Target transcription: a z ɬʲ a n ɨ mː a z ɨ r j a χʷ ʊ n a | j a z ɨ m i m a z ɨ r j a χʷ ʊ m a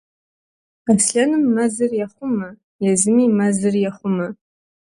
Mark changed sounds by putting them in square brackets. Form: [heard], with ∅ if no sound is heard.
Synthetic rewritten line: a [s] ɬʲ a n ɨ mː a z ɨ r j a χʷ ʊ [m] a | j a z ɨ m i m a z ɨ r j a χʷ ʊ m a

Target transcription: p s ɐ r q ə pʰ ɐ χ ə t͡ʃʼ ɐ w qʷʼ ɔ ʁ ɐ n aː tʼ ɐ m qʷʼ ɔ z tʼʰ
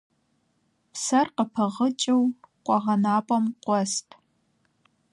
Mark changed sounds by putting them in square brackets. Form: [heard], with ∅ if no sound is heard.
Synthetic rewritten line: p s ɐ r q ə pʰ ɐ [ʁ] ə t͡ʃʼ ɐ w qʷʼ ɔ ʁ ɐ n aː [pʼ] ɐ m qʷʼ ɔ [s] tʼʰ

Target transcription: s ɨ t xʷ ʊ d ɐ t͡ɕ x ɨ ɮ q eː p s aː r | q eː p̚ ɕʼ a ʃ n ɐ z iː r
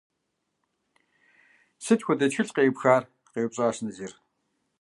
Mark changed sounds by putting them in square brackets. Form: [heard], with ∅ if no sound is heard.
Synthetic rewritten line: s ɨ t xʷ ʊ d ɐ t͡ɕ x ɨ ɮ q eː p [x] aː r | q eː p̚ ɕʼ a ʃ n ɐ z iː r

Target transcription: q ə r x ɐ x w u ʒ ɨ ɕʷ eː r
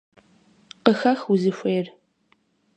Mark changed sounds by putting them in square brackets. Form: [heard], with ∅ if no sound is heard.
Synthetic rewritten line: q ə [∅] x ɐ x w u [z] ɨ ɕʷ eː r

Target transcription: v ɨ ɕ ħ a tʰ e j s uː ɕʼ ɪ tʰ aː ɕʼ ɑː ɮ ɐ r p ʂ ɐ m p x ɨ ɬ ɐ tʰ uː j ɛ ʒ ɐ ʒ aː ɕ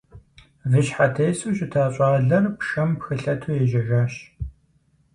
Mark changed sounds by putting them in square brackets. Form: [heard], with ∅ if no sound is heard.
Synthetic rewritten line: v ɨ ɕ ħ a tʰ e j s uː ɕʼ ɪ tʰ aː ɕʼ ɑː ɮ ɐ r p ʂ ɐ m p x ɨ ɬ ɐ tʰ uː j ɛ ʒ ɐ ʒ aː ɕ

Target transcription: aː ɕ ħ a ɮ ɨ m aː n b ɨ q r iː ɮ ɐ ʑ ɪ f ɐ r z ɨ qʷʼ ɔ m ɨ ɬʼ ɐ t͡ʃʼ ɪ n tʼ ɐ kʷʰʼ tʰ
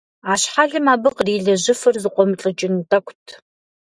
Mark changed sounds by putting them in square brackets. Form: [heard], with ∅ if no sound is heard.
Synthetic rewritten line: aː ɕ ħ a ɮ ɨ m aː [∅] b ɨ q r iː ɮ ɐ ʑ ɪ f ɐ r z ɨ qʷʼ ɔ m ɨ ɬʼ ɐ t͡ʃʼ ɪ n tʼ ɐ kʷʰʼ tʰ

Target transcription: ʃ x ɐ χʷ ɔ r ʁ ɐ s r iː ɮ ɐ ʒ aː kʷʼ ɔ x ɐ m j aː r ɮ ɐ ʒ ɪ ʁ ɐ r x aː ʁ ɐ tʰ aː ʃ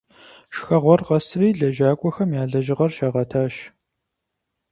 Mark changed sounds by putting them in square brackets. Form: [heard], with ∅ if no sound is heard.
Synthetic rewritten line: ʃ x ɐ [ʁʷ] ɔ r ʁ ɐ s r iː ɮ ɐ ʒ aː kʷʼ ɔ x ɐ m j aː [∅] ɮ ɐ ʒ ɪ ʁ ɐ r [ʃ] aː ʁ ɐ tʰ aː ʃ

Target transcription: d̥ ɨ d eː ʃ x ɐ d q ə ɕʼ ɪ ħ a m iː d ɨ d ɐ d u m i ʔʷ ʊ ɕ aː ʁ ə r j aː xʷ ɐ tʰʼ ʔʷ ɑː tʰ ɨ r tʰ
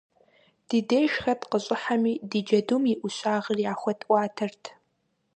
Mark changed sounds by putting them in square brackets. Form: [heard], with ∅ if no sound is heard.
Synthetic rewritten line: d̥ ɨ d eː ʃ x ɐ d q ə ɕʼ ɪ ħ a m iː d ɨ [d͡ʒ] ɐ d u m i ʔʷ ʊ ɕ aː ʁ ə r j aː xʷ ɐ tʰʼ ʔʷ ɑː tʰ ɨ r tʰ

